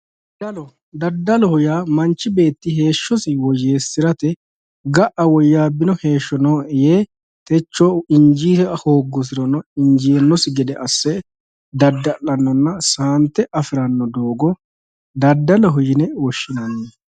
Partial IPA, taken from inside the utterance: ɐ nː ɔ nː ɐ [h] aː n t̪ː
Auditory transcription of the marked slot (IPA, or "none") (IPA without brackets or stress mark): s